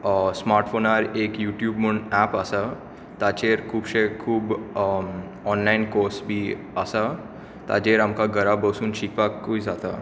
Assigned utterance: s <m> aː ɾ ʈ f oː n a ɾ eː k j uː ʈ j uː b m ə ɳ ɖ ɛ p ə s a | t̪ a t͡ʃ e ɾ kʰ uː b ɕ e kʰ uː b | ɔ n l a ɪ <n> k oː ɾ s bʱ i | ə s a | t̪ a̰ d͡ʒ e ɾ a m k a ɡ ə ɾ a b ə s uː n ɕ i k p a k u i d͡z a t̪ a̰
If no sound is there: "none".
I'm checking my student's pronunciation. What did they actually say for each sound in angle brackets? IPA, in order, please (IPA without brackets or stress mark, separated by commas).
m, n